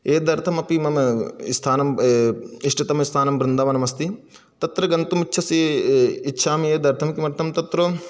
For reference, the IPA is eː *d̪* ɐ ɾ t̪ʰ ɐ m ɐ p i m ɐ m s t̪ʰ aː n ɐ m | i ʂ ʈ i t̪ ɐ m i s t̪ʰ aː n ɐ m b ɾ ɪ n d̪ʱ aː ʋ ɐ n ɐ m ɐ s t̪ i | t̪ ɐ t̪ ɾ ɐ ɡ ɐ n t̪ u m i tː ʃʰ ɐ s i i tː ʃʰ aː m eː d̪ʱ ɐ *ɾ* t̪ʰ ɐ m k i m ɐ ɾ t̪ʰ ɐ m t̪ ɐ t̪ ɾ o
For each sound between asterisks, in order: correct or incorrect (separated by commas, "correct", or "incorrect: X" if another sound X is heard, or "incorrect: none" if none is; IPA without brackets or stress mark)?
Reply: correct, correct